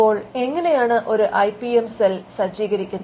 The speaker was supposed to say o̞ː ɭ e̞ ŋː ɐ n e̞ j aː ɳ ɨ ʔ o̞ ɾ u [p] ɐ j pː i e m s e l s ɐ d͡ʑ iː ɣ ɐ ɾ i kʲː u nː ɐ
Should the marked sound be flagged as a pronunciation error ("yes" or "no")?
yes